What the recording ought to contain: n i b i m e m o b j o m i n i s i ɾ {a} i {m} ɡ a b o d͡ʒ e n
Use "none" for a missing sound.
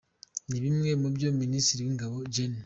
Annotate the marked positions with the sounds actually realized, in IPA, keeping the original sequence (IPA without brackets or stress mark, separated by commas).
i, ŋ